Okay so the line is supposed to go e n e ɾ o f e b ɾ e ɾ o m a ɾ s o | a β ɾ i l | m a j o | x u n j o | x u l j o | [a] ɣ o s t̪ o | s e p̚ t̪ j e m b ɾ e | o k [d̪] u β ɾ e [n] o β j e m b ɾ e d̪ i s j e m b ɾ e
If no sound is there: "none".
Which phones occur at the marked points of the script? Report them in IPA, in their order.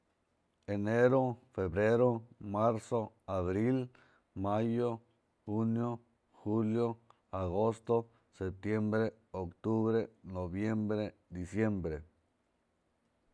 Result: a, t̪, n

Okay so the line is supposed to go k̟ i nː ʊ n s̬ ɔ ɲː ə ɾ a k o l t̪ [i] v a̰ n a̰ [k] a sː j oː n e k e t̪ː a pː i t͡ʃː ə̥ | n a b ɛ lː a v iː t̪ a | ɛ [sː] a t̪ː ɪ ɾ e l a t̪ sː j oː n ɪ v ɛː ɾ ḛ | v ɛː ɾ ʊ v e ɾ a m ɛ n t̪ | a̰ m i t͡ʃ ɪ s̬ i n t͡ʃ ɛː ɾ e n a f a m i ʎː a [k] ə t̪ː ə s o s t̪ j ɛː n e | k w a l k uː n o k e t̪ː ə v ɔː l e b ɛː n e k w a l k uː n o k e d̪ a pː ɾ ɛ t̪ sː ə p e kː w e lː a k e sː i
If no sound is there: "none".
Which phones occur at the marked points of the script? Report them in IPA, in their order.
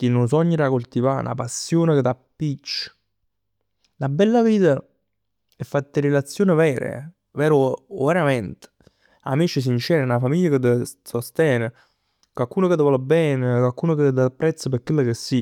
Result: i, p, fː, k

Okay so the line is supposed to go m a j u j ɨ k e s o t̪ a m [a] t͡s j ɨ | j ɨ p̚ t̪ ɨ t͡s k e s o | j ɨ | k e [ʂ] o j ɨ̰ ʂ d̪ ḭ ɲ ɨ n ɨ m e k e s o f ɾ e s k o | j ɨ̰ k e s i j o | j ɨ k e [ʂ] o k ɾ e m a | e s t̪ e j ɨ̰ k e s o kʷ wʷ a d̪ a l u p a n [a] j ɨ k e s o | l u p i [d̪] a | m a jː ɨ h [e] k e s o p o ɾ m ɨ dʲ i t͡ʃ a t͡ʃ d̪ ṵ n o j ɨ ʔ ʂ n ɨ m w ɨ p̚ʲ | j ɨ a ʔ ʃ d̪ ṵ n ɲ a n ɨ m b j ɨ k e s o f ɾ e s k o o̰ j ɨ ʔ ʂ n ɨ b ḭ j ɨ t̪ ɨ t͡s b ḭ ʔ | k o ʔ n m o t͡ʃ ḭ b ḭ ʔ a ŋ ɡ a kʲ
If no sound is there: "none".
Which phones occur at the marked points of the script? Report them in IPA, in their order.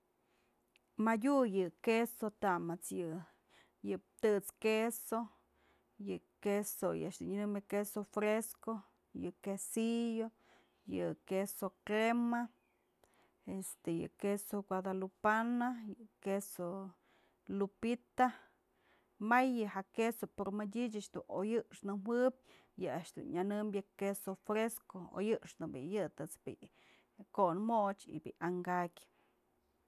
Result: a, s, s, a, t̪, a

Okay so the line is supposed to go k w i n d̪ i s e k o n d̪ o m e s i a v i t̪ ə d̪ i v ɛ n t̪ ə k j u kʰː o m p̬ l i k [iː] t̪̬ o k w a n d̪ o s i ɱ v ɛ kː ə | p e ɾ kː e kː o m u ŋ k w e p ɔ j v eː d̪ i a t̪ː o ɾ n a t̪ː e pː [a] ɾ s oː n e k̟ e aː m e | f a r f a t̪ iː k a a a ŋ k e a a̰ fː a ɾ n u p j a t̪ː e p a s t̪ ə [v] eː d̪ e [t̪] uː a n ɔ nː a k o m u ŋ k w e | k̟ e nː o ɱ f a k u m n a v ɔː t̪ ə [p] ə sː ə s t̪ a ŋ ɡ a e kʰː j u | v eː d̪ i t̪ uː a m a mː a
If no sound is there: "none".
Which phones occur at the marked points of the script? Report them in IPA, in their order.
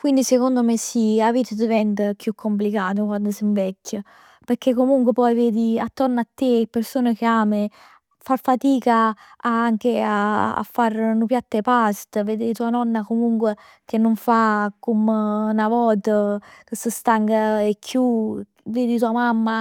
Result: aː, e, v, t̪, k

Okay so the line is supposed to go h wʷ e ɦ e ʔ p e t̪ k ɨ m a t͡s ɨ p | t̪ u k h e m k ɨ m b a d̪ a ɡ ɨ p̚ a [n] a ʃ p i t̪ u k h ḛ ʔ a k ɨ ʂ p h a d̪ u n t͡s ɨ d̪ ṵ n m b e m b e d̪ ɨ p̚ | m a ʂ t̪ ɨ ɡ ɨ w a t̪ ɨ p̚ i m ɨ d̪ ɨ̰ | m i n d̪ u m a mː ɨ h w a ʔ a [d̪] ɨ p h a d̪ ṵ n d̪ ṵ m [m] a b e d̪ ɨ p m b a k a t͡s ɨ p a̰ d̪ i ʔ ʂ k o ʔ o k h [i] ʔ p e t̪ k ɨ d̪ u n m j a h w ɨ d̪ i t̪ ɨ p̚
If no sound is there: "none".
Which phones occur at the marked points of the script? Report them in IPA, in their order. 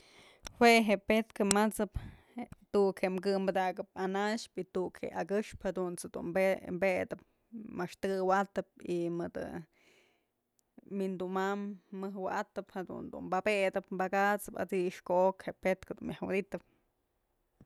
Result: n, t̪, b, e

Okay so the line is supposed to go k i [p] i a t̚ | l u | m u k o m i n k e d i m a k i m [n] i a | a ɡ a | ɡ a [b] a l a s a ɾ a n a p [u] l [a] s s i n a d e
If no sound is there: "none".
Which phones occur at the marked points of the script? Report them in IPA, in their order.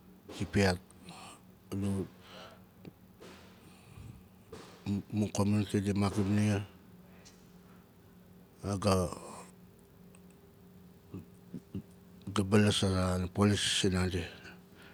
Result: p, n, b, o, i

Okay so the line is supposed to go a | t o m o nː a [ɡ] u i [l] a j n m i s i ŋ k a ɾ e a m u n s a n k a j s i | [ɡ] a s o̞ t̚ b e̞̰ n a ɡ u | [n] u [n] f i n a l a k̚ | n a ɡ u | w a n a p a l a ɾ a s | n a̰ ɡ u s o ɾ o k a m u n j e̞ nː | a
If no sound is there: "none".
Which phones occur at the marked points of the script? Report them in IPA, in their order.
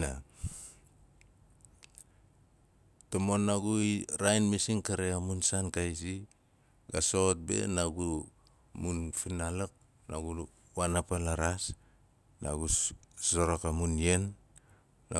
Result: ɡ, ɾ, ɡ, m, n

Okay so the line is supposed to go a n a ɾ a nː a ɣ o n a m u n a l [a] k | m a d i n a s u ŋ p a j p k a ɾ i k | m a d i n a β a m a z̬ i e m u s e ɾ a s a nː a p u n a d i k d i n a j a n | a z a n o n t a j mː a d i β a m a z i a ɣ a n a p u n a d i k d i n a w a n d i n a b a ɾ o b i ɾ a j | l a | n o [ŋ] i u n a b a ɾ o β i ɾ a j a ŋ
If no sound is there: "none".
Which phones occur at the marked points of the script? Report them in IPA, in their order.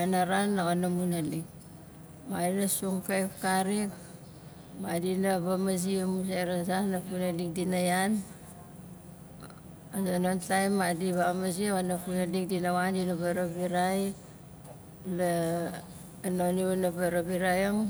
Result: i, n

